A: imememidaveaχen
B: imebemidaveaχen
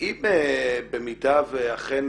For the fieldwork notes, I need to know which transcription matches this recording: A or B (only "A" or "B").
B